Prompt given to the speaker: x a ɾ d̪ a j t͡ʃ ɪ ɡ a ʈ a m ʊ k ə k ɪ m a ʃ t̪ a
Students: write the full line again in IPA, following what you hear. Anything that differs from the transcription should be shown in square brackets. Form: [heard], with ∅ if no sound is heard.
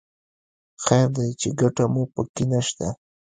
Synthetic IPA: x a ɾ d̪ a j t͡ʃ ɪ ɡ a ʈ a m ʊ [p] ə k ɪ [n] a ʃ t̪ a